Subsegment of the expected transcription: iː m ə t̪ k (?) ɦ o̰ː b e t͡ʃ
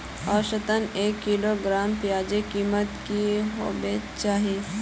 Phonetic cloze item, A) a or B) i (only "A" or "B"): B